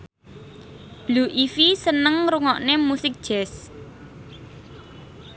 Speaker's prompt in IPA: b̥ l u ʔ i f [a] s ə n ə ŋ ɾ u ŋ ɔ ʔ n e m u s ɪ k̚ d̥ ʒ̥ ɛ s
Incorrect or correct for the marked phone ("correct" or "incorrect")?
incorrect